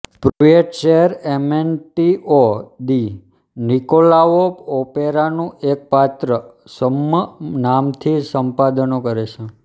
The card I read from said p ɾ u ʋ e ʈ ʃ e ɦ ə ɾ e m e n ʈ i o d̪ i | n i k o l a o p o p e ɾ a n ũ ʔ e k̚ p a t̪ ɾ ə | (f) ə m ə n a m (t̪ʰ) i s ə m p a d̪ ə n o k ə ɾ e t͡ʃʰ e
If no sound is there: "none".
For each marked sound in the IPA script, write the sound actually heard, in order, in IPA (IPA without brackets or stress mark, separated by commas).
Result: s, t̪ʰ